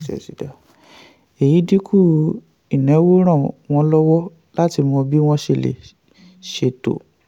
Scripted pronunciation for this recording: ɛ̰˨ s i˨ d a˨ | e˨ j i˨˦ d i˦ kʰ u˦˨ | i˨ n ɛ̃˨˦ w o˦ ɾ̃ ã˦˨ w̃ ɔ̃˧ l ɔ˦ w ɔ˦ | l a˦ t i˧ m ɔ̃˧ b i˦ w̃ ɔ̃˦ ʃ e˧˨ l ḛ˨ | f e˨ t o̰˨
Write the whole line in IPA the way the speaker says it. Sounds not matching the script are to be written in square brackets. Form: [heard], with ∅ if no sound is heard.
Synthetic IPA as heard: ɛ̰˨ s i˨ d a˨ | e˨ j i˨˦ d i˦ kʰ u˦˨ | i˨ n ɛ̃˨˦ w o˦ ɾ̃ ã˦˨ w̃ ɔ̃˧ l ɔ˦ w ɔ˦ | l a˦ t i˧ m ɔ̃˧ b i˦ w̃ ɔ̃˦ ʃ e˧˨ l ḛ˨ | [ʃ] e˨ t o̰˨